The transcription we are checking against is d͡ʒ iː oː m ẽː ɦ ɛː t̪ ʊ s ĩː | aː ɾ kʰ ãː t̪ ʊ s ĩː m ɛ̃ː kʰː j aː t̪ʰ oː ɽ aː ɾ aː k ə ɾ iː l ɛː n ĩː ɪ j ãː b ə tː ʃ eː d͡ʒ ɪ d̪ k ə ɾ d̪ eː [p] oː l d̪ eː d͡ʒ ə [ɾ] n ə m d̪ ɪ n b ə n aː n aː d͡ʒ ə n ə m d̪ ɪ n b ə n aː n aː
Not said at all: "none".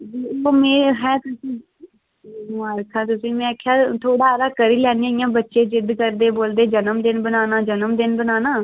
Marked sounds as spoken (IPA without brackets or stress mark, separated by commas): b, none